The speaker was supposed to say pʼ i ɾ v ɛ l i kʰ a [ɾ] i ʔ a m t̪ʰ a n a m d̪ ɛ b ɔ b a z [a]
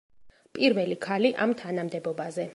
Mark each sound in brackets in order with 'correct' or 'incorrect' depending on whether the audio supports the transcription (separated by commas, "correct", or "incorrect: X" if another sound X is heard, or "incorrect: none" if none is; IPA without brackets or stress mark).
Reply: incorrect: l, incorrect: ɛ